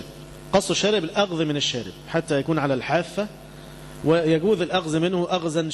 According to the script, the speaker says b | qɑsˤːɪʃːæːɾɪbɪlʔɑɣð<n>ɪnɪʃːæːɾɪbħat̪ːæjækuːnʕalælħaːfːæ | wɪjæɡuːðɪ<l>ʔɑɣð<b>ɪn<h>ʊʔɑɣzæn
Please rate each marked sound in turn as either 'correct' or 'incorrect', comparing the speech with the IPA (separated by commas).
incorrect, correct, incorrect, correct